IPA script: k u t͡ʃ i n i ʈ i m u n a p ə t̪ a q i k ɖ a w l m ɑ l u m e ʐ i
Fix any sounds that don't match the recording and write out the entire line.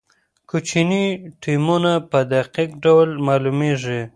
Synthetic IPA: k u t͡ʃ i n i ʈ i m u n a p ə d̪ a q i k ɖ a w l m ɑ l u m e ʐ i